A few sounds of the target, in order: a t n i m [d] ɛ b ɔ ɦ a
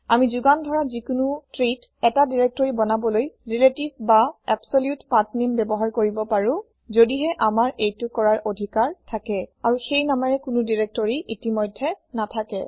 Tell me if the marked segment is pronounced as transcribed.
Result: no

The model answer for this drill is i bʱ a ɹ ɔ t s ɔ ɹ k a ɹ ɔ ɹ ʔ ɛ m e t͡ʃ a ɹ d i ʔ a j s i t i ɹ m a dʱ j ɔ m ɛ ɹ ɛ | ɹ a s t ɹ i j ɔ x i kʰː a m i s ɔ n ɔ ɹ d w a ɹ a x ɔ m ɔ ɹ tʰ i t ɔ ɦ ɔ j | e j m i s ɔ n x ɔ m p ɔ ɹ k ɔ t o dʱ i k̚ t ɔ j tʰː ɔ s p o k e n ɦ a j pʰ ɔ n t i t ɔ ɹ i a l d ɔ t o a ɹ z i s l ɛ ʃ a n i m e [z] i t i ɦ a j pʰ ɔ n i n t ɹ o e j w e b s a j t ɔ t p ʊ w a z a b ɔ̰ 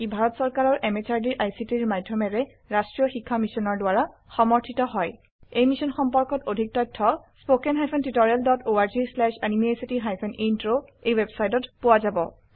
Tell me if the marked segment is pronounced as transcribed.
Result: no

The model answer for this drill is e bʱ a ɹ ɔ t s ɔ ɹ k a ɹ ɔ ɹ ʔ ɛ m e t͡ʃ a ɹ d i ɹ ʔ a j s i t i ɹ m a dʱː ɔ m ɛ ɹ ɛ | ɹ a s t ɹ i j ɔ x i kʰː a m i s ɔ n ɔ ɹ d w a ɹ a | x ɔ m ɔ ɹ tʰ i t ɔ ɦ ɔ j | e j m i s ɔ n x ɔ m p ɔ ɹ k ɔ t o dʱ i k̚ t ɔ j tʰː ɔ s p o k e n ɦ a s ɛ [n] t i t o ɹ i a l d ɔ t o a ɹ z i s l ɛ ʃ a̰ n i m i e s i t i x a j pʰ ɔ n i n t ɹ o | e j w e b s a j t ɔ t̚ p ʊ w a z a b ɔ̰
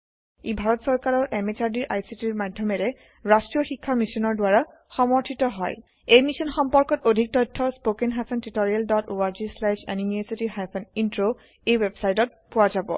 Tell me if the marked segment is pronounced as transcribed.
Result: yes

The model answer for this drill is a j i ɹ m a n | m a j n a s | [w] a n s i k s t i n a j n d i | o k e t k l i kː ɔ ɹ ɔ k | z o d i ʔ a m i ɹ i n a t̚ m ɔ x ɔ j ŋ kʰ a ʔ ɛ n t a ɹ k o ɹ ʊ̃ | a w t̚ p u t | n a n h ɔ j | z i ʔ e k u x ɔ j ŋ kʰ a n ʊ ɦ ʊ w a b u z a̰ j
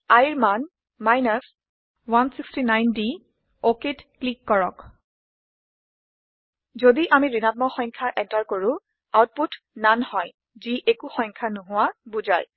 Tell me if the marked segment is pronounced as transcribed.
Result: yes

